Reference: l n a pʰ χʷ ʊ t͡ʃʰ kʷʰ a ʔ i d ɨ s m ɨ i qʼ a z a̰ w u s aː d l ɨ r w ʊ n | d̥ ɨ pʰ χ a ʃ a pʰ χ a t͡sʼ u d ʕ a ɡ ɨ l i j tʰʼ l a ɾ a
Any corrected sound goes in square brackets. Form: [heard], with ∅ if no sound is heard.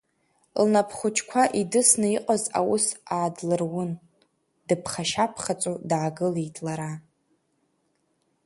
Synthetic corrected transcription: l n a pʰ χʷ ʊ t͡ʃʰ kʷʰ a ʔ i d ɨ s [n] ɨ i qʼ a z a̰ w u s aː d l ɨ r w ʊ n | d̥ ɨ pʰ χ a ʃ a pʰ χ a t͡sʼ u d ʕ a ɡ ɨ l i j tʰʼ l a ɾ a